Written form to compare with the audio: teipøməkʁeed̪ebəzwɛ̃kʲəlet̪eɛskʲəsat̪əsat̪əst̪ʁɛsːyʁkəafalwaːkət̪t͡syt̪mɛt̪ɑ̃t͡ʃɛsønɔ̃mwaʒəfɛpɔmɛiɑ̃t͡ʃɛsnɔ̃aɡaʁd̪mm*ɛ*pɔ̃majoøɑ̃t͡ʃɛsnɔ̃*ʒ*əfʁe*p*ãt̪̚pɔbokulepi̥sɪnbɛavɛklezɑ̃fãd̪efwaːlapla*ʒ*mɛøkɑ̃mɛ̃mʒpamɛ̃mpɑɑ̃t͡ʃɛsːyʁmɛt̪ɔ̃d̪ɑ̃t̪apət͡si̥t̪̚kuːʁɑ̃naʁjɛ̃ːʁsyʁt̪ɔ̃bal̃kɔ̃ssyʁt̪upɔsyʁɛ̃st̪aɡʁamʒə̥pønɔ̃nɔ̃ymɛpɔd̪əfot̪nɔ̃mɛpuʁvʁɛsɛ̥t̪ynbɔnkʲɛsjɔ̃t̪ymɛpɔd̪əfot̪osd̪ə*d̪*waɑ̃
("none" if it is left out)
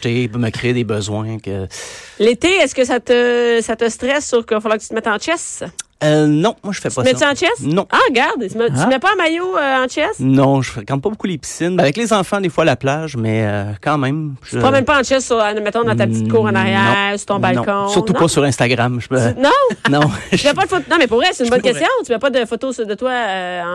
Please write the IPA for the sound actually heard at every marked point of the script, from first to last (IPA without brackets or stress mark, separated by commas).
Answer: ɛ, ʒ, k, ʒ, t̪